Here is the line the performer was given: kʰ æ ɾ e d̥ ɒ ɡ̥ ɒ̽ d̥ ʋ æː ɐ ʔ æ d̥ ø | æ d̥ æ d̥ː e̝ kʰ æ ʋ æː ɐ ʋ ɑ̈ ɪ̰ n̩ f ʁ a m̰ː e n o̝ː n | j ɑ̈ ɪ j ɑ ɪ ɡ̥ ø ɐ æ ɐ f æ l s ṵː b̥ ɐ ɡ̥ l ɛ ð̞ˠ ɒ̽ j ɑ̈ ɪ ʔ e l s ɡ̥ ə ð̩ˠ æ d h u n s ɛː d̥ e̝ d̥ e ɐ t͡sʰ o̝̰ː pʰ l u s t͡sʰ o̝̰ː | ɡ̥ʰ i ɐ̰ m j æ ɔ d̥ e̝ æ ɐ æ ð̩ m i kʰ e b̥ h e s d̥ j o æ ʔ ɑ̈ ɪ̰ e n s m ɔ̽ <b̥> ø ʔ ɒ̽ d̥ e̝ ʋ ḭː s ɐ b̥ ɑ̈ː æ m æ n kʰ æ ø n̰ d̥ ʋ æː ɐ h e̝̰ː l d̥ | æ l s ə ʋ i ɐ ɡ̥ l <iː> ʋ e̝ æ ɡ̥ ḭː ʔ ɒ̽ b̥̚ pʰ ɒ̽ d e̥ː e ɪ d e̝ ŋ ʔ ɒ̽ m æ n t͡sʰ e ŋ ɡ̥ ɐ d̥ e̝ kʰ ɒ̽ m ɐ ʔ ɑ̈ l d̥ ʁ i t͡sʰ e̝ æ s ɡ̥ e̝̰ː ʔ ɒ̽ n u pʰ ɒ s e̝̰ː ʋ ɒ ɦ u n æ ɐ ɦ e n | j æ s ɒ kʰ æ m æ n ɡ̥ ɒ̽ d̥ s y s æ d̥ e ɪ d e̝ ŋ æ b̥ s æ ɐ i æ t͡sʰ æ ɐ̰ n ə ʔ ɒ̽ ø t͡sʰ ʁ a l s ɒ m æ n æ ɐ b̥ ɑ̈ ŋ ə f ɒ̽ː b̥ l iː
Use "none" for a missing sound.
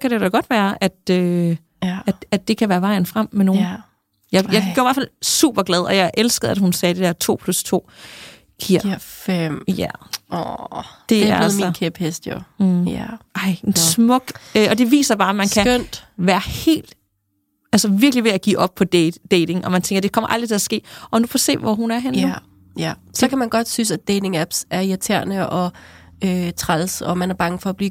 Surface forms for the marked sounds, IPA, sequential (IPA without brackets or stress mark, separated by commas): ɡ̥, i